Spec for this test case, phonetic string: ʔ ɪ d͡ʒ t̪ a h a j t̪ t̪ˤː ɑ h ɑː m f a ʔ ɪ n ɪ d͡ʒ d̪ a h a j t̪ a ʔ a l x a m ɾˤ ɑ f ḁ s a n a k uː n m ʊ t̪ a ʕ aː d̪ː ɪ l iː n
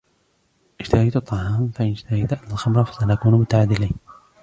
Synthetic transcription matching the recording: ʔ ɪ d͡ʒ t̪ a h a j t̪ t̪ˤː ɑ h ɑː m f a ʔ ɪ n ɪ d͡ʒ t̪ a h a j t̪ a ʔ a l x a m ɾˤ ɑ f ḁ s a n a k uː n m ʊ t̪ a ʕ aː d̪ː ɪ l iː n